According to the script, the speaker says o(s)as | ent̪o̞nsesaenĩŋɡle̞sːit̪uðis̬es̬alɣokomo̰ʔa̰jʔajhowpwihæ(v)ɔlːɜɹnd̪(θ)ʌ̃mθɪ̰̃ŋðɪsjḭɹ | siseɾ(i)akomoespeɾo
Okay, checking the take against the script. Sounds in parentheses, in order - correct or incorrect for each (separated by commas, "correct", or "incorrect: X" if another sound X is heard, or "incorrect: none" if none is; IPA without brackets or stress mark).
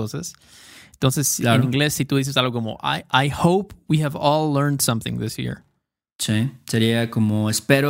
correct, correct, incorrect: s, correct